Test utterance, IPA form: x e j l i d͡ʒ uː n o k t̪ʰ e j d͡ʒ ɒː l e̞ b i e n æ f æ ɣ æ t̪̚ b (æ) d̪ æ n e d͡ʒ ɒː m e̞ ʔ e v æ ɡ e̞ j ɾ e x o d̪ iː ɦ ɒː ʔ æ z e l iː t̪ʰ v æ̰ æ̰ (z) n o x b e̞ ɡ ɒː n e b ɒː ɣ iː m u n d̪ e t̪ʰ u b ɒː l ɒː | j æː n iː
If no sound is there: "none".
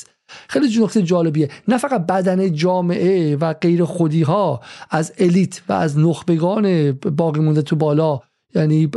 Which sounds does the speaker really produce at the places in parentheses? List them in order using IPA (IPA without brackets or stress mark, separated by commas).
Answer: æ, z